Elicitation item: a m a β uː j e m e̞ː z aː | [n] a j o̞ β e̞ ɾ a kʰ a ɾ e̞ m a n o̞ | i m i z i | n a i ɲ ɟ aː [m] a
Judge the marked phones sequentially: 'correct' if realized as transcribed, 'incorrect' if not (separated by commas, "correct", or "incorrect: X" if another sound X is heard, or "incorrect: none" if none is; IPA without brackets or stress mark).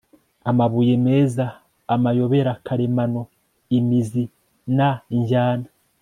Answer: incorrect: m, incorrect: n